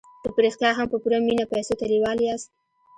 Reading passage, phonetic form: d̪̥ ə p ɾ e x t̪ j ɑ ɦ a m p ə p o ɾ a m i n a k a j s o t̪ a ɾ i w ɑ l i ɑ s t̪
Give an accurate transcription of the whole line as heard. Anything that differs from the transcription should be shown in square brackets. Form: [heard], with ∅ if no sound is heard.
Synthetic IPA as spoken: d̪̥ ə p ɾ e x t̪ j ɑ ɦ a m p ə p [u] ɾ a m i n a [p] a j s o t̪ a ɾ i w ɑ l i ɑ s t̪